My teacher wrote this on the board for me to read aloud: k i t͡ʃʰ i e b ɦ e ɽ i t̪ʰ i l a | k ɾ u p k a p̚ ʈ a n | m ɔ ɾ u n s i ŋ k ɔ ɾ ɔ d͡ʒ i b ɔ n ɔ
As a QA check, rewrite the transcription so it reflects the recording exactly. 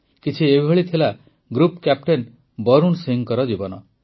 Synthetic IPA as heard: k i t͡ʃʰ i e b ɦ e ɭ i t̪ʰ i l a | ɡ ɾ u p k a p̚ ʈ e n | b ɔ ɾ u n s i ŋ k ɔ ɾ ɔ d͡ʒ i b ɔ n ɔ